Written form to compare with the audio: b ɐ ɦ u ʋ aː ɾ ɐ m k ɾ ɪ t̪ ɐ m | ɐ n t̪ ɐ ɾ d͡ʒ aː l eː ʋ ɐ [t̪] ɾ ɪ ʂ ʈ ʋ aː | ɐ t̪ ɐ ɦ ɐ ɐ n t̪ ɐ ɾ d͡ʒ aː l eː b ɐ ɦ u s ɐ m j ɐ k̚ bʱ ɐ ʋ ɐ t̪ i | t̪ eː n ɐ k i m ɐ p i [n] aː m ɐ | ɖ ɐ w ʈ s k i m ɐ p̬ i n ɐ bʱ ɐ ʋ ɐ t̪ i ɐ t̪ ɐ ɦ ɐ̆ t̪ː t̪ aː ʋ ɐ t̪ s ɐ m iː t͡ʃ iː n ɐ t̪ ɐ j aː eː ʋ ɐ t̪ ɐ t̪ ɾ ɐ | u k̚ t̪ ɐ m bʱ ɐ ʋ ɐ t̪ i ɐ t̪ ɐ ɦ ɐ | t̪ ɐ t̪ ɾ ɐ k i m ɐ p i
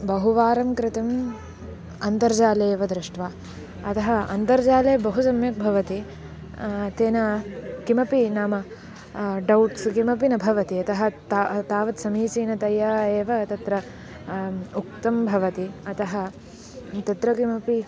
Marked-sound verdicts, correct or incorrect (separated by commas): incorrect, correct